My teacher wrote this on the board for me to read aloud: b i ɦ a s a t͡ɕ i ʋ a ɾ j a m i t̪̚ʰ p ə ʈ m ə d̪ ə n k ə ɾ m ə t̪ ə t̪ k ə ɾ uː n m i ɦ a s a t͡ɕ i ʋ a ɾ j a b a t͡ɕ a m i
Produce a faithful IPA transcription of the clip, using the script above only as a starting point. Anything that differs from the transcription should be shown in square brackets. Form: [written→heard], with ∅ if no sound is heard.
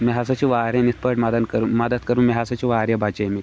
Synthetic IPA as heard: [b→m] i ɦ a s a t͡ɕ i ʋ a ɾ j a [m→n] i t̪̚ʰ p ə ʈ m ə d̪ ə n k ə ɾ m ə [t̪→d̪] ə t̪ k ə ɾ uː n m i ɦ a s a t͡ɕ i ʋ a ɾ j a b a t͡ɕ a m i